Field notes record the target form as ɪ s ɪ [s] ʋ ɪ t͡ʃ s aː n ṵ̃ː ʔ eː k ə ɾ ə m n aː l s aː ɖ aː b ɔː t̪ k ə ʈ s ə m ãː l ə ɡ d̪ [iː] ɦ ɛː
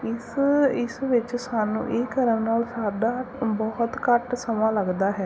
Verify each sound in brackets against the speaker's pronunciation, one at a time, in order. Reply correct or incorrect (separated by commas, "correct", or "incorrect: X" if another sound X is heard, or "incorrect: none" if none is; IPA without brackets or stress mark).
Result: correct, incorrect: aː